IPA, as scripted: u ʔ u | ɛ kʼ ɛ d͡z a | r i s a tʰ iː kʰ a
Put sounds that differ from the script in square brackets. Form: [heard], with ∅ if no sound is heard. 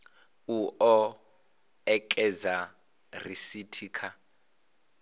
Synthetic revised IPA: u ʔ [ɔ] | ɛ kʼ ɛ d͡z a | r i s [i] tʰ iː kʰ a